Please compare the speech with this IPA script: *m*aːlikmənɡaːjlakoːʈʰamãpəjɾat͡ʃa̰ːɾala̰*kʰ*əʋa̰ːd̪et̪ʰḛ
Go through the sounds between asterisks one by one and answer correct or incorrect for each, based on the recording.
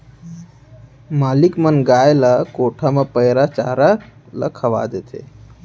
correct, correct

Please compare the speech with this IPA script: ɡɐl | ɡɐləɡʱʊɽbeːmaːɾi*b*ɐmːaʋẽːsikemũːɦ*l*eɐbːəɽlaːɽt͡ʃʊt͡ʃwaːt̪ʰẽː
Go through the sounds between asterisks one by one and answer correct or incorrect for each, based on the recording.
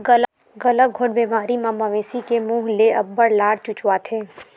incorrect, correct

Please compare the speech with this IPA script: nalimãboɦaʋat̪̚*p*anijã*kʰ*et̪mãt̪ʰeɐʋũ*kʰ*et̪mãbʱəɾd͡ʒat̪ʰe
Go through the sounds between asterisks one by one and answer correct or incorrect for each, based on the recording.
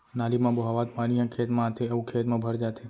correct, correct, correct

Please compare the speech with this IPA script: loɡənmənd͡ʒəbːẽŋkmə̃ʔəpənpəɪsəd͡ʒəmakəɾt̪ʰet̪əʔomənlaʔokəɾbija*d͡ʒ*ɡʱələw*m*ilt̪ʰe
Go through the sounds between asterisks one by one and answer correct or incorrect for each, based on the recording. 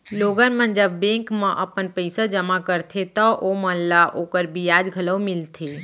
correct, correct

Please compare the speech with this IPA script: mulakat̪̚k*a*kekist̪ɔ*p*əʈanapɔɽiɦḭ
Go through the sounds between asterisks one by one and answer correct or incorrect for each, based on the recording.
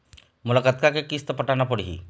correct, correct

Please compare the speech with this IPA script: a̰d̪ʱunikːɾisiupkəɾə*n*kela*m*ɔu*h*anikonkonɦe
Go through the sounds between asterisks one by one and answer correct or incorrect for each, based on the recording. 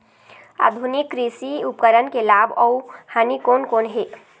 correct, incorrect, correct

